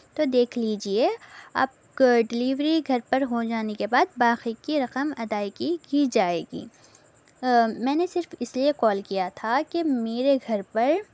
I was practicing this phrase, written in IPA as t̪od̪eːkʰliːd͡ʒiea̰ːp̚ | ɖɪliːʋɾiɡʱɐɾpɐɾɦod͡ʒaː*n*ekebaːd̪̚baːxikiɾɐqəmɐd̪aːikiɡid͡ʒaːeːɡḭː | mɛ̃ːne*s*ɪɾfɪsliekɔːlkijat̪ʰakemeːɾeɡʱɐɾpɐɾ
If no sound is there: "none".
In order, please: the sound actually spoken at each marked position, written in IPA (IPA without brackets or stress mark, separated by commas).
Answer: n, s